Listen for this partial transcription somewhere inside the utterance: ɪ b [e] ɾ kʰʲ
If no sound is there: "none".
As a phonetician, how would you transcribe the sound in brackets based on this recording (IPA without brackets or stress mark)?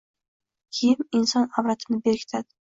e